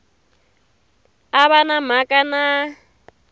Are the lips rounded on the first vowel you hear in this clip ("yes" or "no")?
no